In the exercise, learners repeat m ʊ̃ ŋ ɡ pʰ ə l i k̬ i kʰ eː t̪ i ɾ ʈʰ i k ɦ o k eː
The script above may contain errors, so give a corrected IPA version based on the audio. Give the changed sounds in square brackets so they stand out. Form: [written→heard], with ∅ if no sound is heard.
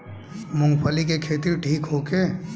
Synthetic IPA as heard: m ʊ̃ ŋ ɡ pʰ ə l i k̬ [i→e] kʰ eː t̪ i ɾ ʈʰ [i→iː] k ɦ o k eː